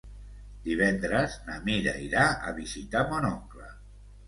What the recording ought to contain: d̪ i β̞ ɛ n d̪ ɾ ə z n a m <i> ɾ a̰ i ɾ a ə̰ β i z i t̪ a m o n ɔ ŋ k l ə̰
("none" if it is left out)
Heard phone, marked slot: i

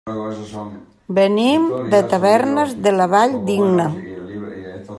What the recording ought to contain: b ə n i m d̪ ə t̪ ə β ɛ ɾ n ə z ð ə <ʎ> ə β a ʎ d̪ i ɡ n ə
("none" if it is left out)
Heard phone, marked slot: l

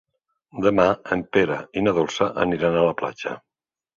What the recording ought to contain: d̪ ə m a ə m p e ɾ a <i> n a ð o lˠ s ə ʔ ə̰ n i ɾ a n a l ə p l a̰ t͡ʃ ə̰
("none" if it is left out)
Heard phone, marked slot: i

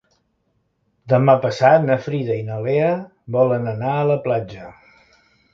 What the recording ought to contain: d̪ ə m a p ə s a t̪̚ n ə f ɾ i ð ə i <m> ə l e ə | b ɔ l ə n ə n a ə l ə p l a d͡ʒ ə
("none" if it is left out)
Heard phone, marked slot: n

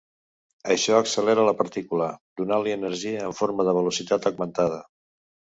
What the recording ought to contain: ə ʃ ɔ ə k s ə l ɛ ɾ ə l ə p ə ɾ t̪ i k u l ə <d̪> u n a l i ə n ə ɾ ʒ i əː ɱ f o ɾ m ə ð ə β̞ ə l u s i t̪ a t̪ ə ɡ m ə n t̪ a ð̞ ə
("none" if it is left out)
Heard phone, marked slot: d̪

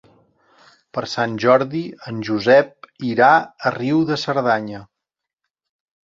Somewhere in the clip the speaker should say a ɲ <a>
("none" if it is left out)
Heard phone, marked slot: ə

